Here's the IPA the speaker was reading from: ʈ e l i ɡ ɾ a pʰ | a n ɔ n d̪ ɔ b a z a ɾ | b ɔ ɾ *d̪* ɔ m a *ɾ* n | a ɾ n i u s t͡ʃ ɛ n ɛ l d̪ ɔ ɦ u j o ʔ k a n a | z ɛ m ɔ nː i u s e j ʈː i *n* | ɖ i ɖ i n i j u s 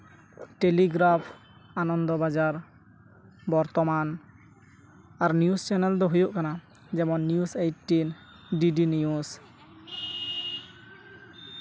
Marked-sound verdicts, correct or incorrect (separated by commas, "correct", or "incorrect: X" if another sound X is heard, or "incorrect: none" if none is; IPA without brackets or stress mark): incorrect: t̪, incorrect: none, correct